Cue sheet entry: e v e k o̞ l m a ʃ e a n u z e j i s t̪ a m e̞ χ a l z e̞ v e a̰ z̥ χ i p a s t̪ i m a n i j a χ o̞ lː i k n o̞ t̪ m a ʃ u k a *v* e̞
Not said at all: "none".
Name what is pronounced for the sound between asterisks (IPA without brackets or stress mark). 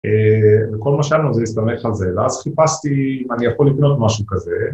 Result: z